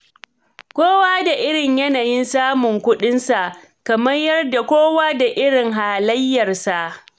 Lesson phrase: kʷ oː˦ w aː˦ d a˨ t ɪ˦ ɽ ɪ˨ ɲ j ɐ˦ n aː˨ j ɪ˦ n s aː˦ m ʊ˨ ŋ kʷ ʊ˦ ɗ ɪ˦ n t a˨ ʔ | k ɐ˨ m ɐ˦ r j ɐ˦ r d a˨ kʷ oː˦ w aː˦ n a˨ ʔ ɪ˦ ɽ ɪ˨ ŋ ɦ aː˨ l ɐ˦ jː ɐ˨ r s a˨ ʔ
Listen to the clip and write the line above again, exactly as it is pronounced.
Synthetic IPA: kʷ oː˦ w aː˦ d a˨ ʔ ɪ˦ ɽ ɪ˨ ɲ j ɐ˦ n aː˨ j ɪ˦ n s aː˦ m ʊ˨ ŋ kʷ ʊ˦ ɗ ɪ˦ n s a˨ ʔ | k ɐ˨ m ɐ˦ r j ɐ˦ r d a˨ kʷ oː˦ w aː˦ d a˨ ʔ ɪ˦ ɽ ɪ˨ ŋ ɦ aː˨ l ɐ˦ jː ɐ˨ r s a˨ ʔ